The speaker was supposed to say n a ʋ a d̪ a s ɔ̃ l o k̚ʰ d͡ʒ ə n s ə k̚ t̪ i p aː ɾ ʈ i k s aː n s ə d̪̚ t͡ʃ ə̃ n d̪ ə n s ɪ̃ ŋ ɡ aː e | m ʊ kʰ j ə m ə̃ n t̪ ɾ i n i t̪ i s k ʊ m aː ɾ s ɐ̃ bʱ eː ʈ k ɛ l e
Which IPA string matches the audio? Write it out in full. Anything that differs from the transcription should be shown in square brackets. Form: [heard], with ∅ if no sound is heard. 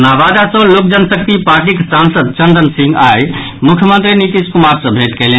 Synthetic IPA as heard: n a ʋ a d̪ a s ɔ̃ l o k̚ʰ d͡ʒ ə n s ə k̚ t̪ i p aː ɾ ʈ i k s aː n s ə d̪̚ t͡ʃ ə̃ n d̪ ə n s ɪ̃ ŋ ɡ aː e | m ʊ kʰ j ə m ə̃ n t̪ ɾ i n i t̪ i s k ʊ m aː ɾ s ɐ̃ bʱ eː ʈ k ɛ l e